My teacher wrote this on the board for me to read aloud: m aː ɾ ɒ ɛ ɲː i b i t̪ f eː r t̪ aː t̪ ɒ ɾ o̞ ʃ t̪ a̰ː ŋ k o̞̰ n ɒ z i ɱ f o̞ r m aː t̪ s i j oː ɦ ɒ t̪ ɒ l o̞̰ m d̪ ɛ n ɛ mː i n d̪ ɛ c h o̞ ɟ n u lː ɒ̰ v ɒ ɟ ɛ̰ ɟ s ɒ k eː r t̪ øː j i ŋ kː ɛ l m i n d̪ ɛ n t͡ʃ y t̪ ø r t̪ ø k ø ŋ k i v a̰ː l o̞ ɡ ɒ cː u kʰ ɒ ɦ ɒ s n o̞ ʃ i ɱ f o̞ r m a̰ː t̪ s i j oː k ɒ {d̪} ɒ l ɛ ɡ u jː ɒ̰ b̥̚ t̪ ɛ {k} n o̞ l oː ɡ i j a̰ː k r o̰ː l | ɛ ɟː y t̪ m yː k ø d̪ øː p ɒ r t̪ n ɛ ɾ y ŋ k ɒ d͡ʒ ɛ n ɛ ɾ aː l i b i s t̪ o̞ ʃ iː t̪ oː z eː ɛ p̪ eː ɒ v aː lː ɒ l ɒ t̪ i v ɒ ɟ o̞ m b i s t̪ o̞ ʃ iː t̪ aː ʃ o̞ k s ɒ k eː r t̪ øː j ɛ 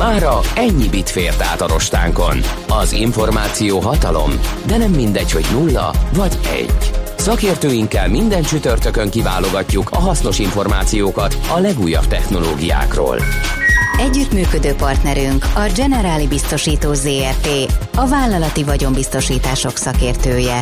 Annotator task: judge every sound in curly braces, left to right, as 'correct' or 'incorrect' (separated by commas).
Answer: incorrect, incorrect